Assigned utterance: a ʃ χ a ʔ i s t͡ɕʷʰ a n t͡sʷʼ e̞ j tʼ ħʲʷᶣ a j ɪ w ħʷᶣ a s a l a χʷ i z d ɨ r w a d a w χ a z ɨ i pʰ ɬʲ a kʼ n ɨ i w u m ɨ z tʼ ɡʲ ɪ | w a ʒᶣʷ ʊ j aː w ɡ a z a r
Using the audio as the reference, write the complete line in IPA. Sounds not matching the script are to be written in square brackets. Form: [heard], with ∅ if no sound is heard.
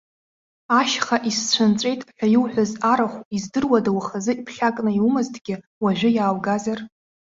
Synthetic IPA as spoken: a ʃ χ a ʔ i s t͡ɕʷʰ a n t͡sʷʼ e̞ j tʼ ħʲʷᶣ a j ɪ w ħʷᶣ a [z] a [ɾ] a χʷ i z d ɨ r w a d a w χ a z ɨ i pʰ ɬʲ a kʼ n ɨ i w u m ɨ z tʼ ɡʲ ɪ | w a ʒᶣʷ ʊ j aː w ɡ a z a r